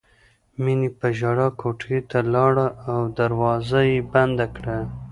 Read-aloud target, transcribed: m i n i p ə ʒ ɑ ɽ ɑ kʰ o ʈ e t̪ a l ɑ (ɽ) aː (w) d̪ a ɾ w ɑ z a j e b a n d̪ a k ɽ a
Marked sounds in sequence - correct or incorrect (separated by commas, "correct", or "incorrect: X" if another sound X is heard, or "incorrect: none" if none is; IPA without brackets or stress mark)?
correct, correct